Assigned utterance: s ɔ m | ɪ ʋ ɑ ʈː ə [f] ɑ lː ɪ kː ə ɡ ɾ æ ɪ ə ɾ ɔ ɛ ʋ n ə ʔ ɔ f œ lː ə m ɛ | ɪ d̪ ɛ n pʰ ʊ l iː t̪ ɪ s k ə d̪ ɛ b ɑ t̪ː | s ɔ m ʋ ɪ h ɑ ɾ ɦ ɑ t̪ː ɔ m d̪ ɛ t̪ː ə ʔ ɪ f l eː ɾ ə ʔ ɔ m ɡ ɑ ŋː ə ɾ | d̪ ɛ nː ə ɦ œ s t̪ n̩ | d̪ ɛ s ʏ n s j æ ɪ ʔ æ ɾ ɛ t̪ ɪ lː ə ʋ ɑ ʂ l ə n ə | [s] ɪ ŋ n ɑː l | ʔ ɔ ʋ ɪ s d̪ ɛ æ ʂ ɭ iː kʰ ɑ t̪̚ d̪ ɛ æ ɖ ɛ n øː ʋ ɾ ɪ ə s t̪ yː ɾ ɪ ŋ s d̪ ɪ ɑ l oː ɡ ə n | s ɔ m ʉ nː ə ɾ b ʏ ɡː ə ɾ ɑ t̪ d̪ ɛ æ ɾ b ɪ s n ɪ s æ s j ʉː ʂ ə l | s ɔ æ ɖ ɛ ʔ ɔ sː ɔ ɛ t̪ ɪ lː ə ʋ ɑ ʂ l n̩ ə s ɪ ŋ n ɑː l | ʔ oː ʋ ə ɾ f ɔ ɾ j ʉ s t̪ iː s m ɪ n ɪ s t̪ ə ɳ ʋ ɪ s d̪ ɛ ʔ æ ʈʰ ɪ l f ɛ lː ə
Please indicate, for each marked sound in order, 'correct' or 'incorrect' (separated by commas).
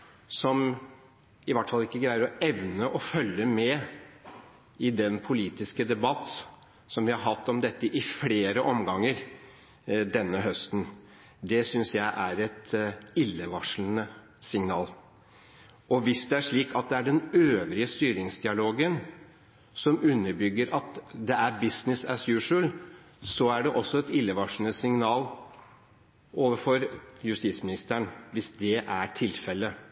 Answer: correct, correct